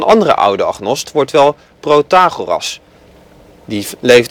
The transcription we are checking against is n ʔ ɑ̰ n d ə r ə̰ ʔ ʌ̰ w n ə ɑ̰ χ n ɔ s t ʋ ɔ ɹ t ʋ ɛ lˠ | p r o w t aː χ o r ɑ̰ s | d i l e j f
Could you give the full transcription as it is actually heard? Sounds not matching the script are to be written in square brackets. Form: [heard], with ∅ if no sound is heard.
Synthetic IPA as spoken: n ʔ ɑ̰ n d ə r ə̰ ʔ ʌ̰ w [d] ə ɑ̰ χ n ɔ s t ʋ ɔ ɹ t ʋ ɛ lˠ | p r o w t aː χ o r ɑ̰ s | d i l e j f